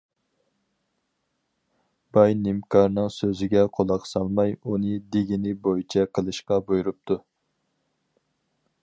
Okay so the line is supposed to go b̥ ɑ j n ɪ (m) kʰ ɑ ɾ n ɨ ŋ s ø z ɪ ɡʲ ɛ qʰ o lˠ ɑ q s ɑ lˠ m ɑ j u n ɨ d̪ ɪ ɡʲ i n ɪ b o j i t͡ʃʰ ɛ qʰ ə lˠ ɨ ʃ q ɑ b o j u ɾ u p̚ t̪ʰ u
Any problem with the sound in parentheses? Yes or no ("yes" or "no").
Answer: no